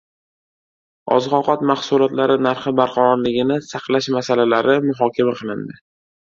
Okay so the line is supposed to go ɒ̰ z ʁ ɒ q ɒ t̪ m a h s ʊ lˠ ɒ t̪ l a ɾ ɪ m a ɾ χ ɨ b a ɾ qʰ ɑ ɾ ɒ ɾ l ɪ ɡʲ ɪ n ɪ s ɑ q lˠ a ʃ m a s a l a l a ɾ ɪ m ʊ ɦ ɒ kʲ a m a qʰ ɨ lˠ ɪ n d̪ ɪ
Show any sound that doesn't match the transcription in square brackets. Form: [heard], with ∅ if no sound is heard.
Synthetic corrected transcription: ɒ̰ z ʁ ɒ q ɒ t̪ m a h s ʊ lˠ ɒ t̪ l a ɾ ɪ [n] a ɾ χ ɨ b a ɾ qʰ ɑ ɾ ɒ ɾ l ɪ ɡʲ ɪ n ɪ s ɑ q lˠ a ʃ m a s a l a l a ɾ ɪ m ʊ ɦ ɒ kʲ a m a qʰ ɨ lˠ ɪ n d̪ ɪ